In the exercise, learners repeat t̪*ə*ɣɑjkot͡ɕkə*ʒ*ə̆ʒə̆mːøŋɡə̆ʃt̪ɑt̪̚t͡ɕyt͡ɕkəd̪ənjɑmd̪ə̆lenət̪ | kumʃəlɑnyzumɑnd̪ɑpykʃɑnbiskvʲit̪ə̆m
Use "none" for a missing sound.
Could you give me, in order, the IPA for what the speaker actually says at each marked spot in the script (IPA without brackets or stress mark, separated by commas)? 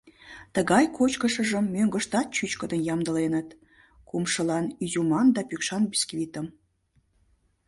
ə, ʃ